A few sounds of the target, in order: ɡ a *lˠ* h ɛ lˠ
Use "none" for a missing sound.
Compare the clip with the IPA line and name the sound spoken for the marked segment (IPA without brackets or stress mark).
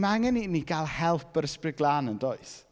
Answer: lˠ